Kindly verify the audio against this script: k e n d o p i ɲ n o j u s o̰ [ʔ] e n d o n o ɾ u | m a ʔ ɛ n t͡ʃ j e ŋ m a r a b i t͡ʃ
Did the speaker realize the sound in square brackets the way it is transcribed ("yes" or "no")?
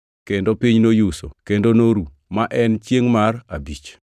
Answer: no